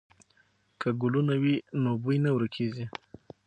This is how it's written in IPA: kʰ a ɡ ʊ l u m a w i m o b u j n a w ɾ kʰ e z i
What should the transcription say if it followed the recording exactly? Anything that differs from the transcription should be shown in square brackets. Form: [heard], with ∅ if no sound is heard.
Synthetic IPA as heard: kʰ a ɡ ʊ l u [n] a w i [n] o b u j n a w ɾ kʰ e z i

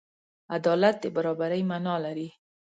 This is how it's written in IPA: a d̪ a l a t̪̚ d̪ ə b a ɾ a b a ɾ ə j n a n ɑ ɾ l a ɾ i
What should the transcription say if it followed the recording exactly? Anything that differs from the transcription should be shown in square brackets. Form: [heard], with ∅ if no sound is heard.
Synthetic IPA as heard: a d̪ [ɑ] l a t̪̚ d̪ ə b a ɾ [ɑ] b a ɾ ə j [m] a n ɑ [∅] l a ɾ i

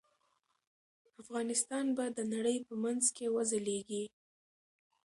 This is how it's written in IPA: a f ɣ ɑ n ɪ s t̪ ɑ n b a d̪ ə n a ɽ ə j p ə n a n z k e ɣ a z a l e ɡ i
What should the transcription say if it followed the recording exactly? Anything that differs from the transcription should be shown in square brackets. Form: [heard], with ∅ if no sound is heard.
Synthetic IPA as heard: a f ɣ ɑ n ɪ s t̪ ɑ n b a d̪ ə n a ɽ ə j p ə [m] a n z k e [w] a z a l e ɡ i

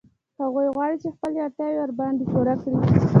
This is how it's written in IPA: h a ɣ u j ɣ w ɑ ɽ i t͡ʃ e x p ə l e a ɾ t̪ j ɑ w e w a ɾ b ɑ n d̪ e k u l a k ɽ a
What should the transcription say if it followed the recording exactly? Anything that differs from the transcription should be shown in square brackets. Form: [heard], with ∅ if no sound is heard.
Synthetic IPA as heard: h a ɣ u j ɣ w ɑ ɽ i t͡ʃ e x p ə l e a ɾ t̪ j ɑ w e w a ɾ b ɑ n d̪ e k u [ɾ] a k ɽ [i]

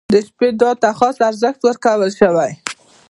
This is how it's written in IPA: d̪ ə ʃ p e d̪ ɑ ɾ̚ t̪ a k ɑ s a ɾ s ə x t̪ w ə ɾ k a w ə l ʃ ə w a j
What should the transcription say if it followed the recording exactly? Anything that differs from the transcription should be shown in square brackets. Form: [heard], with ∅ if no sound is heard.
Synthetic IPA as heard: d̪ ə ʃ p e d̪ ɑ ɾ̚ t̪ a [x] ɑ s a ɾ [z] ə x t̪ w ə ɾ k a w ə l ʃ ə w a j

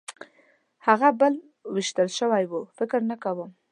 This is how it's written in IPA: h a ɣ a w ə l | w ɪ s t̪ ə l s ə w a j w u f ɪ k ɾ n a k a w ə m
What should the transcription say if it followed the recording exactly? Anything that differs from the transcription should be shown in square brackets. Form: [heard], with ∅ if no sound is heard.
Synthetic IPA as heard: h a ɣ a [b] ə l | w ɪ [ʃ] t̪ ə l [ʃ] ə w a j w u f ɪ k ɾ n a k a w ə m

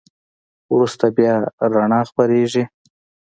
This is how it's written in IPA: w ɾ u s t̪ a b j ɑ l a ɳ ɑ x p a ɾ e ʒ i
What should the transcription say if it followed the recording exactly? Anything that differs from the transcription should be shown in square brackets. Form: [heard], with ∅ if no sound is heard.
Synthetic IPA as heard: w ɾ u s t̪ a b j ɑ [ɾ] a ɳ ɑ x p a ɾ e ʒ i

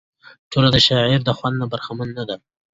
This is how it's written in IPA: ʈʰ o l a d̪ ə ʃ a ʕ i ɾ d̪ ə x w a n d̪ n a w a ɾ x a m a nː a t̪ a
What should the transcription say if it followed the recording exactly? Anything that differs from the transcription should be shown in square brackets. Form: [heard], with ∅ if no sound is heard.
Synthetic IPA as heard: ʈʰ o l a d̪ ə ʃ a ʕ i ɾ d̪ ə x w a n d̪ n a [b] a ɾ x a m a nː a [d̪] a

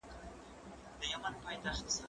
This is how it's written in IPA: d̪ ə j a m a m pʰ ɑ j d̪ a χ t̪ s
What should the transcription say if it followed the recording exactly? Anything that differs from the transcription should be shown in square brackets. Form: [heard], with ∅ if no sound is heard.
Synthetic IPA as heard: d̪ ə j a m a [n] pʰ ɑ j [t̪] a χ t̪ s

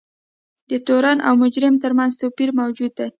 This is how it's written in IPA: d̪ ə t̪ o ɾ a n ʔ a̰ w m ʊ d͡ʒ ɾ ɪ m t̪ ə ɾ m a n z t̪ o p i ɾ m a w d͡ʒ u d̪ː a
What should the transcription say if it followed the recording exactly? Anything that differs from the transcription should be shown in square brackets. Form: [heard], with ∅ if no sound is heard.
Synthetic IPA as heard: d̪ ə t̪ o ɾ a n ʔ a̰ w m ʊ d͡ʒ ɾ ɪ m t̪ ə ɾ m a n z t̪ o p i ɾ m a w d͡ʒ u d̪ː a

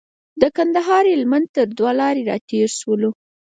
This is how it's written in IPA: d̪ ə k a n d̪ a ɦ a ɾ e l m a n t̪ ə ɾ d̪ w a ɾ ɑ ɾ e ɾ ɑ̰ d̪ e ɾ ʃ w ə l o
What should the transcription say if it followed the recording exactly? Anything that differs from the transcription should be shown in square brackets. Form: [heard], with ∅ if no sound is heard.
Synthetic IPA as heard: d̪ ə k a n d̪ a ɦ [ɑ] ɾ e l m a n t̪ ə ɾ d̪ w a [l] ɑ ɾ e ɾ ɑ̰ [t̪] e ɾ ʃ w ə l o

